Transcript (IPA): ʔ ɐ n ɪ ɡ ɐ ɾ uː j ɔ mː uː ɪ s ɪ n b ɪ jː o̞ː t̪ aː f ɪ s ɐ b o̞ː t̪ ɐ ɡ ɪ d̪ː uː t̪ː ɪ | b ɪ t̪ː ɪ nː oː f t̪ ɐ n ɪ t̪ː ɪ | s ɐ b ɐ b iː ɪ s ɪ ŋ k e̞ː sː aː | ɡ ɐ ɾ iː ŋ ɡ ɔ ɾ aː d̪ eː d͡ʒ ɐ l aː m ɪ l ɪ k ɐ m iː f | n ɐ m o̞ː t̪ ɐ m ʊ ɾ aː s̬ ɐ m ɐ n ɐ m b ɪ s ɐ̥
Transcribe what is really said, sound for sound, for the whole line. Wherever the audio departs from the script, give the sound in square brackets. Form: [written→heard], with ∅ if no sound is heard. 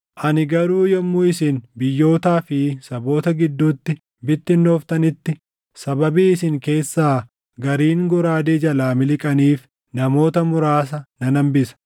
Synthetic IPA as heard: ʔ ɐ n ɪ ɡ ɐ ɾ uː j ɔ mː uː ɪ s ɪ n b ɪ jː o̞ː t̪ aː f ɪ s ɐ b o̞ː t̪ ɐ ɡ ɪ d̪ː uː t̪ː ɪ | b ɪ t̪ː ɪ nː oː f t̪ ɐ n ɪ t̪ː ɪ | s ɐ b ɐ b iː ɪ s ɪ ŋ k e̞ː sː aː | ɡ ɐ ɾ iː ŋ ɡ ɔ ɾ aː d̪ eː d͡ʒ ɐ l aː m ɪ l ɪ [k→kʼ] ɐ [m→n] iː f | n ɐ m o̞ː t̪ ɐ m ʊ ɾ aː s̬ ɐ [m→n] ɐ n ɐ m b ɪ s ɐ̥